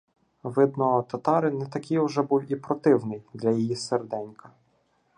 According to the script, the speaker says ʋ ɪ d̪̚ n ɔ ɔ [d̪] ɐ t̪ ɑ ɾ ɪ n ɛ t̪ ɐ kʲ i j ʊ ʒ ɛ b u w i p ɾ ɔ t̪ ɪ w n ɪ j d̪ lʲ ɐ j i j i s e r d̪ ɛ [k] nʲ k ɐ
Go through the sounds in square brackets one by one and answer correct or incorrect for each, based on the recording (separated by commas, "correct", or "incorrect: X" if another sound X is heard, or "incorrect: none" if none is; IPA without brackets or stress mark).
incorrect: t̪, incorrect: none